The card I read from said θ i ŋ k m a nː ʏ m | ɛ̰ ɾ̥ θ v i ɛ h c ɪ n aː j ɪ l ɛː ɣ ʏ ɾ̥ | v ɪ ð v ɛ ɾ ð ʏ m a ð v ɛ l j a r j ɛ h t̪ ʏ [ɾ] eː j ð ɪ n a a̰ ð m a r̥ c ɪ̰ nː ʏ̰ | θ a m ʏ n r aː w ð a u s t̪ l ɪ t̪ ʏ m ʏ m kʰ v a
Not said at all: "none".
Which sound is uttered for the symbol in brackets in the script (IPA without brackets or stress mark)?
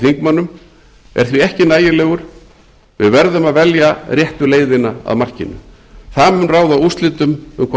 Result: l